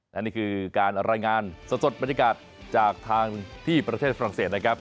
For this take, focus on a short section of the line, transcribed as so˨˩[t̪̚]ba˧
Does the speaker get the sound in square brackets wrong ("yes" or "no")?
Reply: no